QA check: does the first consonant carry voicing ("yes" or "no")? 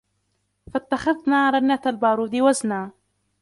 no